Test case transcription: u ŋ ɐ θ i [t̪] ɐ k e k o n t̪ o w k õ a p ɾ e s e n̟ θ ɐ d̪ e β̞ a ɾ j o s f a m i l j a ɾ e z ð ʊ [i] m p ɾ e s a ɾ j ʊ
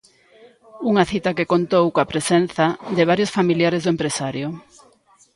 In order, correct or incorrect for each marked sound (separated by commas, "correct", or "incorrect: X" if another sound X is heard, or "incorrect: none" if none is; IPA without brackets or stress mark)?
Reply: correct, incorrect: e